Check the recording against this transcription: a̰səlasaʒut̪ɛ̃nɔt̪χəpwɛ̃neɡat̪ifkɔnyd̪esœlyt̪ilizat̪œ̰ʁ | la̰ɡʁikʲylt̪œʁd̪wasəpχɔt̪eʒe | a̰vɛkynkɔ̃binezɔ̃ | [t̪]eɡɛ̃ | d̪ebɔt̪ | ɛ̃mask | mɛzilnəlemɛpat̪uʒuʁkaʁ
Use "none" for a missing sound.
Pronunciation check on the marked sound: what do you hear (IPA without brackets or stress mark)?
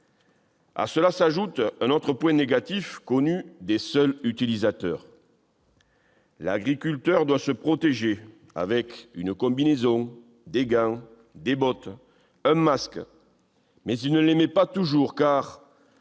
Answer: d̪